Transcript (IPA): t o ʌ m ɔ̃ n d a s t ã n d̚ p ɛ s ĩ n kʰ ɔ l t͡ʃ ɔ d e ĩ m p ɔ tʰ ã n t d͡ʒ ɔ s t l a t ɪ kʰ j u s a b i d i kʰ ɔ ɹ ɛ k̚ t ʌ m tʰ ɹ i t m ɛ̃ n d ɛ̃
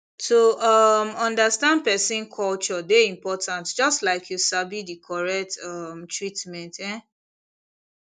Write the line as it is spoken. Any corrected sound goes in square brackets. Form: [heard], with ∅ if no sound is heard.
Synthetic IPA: t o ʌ m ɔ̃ n d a s t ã n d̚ p ɛ s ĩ n kʰ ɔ l t͡ʃ ɔ d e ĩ m p ɔ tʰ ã n t d͡ʒ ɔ s t l a [∅] ɪ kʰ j u s a b i d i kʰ ɔ ɹ ɛ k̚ t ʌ m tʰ ɹ i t m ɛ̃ n [t] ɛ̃